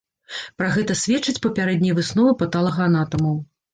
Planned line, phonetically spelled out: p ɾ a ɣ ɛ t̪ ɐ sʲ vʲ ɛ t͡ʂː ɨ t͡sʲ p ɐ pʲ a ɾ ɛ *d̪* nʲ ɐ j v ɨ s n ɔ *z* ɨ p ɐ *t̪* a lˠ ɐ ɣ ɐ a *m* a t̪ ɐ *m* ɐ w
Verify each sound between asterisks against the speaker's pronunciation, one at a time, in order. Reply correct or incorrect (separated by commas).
correct, incorrect, correct, incorrect, correct